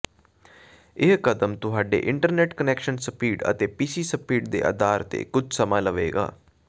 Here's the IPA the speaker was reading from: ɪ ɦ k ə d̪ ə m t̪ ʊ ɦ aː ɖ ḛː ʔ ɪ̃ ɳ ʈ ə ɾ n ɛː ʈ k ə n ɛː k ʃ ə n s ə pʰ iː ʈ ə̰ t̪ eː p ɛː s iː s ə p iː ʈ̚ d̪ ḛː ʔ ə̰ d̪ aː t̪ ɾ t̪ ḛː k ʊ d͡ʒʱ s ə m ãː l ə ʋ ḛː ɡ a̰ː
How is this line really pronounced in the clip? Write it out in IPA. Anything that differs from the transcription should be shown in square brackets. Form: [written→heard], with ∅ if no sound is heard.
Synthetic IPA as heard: ɪ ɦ k ə d̪ ə m t̪ ʊ ɦ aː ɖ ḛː ʔ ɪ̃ ɳ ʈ ə ɾ n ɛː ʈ k ə n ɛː k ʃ ə n s ə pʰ iː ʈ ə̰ t̪ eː p [ɛː→iː] s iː s ə p iː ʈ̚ d̪ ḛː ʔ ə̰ d̪ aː [t̪→∅] ɾ t̪ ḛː k ʊ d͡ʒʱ s ə m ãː l ə ʋ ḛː ɡ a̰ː